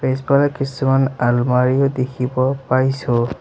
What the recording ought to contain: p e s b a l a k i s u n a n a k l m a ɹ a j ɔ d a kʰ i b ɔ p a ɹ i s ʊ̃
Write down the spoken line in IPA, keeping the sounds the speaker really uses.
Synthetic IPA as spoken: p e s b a l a k i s u m a n a l m a ɹ i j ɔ d e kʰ i b ɔ p a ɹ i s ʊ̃